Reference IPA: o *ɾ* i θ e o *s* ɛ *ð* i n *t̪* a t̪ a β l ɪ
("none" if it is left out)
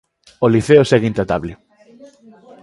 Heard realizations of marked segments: l, s, ɣ, t̪

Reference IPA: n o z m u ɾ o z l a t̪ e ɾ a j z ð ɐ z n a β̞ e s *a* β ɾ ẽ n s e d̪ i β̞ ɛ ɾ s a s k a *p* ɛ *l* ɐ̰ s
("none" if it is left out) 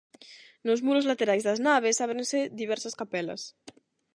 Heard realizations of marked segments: a, p, l

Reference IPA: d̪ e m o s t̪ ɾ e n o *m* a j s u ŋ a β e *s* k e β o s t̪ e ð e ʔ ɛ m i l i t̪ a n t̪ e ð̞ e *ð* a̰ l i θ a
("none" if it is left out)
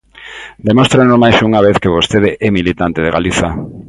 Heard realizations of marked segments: m, θ, ɣ

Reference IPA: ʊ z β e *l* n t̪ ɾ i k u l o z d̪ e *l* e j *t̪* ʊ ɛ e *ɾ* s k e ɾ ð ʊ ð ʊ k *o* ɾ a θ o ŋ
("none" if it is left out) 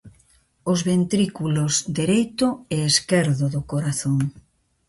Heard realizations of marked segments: none, ɾ, t̪, none, o

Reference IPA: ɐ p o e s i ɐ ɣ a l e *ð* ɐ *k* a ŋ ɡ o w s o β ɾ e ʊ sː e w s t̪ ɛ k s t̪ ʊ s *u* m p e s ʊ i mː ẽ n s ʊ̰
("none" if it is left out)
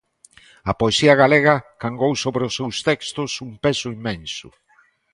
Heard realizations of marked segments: ɣ, k, u

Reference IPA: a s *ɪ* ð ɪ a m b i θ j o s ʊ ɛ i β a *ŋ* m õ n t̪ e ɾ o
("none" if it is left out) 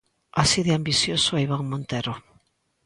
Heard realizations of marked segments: i, ŋ

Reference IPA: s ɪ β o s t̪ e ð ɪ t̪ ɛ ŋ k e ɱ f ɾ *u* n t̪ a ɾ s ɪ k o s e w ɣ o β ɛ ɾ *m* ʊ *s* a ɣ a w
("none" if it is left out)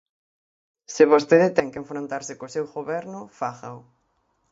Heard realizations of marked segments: o, n, f

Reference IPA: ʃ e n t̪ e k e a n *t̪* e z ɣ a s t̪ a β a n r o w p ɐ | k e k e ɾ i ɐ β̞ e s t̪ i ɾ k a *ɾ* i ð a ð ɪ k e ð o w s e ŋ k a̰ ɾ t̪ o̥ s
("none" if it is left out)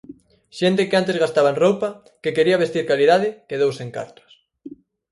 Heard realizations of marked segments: t̪, l

